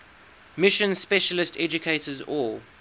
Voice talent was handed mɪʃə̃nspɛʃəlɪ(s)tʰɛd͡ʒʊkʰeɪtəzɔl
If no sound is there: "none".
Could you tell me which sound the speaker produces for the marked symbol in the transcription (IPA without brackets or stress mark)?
s